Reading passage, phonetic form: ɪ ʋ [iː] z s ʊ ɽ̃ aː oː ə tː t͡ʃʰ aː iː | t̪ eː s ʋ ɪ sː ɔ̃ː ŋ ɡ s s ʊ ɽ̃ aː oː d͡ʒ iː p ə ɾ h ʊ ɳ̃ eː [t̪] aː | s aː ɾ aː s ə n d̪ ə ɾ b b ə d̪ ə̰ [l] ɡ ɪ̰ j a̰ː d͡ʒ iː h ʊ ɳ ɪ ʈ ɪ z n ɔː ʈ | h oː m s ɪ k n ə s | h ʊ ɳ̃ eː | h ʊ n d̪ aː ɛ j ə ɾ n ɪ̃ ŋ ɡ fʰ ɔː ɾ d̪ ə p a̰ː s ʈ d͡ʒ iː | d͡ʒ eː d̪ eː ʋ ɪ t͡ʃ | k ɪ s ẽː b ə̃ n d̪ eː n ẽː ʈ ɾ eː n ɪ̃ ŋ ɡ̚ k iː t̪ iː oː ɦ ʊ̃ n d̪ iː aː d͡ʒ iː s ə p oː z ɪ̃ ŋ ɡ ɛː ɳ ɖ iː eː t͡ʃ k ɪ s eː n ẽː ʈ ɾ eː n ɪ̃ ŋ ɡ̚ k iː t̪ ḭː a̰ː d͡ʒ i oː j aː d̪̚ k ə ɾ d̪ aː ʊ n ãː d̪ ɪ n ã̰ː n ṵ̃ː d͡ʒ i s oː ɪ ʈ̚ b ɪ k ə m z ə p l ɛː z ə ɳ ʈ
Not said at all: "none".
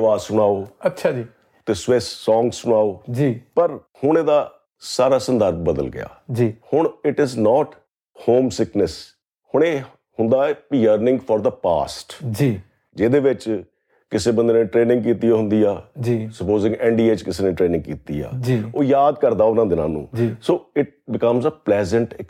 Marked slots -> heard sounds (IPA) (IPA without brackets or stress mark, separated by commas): aː, d̪, l